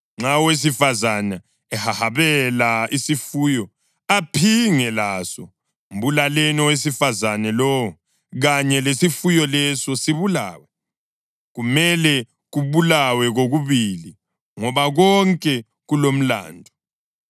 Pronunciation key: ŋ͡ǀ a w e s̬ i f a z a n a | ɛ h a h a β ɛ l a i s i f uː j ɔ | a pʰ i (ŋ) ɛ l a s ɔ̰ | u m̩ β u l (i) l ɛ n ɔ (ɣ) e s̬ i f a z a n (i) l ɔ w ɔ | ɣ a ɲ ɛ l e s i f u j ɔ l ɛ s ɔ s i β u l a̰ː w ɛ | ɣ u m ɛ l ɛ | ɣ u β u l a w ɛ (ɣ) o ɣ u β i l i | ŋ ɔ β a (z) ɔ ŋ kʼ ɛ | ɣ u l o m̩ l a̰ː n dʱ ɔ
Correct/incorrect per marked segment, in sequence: correct, incorrect: a, incorrect: w, incorrect: ɛ, correct, incorrect: ɣ

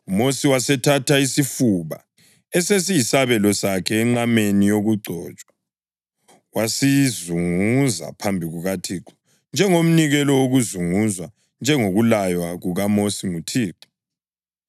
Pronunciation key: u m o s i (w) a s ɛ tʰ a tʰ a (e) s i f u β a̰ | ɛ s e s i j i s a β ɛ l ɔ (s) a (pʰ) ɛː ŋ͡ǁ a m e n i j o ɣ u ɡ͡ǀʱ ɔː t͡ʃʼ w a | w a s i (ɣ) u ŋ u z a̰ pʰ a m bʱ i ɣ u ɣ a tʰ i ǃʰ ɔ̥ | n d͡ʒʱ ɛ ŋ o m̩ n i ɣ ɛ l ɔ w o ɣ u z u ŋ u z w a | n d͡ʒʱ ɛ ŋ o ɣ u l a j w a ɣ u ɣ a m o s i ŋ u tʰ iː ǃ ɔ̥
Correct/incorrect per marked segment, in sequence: correct, incorrect: i, correct, incorrect: kʰ, incorrect: z

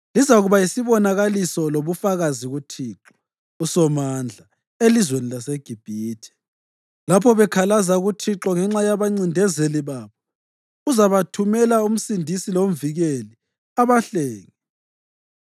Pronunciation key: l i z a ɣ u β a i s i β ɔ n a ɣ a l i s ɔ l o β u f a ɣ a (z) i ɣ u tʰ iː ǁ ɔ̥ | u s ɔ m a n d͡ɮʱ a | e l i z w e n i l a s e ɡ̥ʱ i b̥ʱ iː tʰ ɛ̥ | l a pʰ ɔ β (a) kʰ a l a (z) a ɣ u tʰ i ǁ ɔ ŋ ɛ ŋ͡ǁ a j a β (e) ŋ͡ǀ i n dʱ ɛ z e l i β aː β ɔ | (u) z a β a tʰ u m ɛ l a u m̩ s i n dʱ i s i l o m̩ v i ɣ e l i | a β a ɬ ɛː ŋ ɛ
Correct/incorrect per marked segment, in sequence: correct, incorrect: ɛ, correct, incorrect: a, correct

